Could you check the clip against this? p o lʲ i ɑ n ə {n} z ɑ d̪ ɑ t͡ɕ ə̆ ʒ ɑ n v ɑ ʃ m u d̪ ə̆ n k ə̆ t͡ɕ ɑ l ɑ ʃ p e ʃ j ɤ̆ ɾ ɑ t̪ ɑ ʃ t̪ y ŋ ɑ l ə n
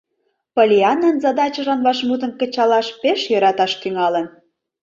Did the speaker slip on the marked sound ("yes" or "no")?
no